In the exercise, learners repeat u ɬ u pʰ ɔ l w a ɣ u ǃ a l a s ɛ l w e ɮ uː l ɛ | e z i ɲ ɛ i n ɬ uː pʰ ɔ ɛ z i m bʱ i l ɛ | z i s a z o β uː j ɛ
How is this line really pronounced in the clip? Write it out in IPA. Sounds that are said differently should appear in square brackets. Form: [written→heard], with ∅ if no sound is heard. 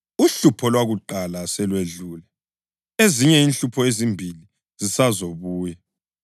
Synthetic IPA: u ɬ u pʰ ɔ l w a ɣ u ǃ a l a s ɛ l w e ɮ uː l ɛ | e z i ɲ ɛ i n ɬ [uː→u] pʰ ɔ [ɛ→e] z i m bʱ i l [ɛ→i] | z i s a z o β uː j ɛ